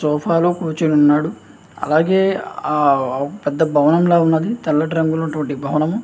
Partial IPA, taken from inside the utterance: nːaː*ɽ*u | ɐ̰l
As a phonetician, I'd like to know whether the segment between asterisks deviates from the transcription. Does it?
no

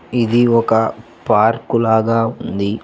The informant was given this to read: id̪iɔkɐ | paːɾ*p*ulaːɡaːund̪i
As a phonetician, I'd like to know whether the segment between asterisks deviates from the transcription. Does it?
yes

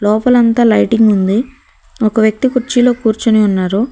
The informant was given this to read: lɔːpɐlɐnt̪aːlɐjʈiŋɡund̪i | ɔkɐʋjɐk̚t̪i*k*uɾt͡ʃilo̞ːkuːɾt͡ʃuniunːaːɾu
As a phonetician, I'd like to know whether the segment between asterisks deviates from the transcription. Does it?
no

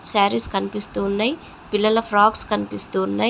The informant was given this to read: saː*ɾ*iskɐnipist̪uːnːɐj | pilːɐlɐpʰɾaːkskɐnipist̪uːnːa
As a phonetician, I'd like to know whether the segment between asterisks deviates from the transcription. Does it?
no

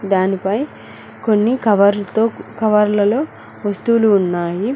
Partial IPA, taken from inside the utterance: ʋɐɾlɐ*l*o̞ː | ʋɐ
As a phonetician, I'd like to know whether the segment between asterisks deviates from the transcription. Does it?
no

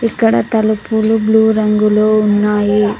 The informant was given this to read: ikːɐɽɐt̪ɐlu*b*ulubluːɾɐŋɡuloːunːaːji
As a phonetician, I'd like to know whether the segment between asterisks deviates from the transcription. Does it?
yes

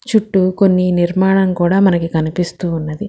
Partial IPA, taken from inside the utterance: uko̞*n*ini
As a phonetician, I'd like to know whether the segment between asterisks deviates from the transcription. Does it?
yes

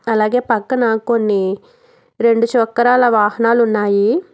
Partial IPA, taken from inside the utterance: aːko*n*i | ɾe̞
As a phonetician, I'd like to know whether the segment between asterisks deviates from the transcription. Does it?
yes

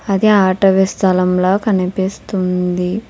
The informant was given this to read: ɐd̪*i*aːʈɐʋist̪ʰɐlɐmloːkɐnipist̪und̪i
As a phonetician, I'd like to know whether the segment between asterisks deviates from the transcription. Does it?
no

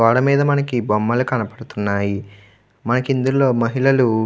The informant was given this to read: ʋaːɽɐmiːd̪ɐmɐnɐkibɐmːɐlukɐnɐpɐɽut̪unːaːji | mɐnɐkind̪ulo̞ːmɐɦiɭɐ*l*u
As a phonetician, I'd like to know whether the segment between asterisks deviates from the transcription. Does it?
no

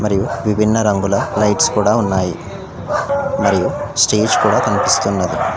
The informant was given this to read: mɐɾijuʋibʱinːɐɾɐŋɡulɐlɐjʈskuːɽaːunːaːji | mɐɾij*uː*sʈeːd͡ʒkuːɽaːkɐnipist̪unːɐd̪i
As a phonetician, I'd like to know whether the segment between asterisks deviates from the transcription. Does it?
yes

